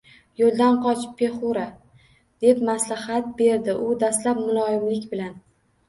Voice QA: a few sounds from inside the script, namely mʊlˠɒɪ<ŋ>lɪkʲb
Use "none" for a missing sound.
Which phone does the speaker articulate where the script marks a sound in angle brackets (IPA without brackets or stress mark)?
m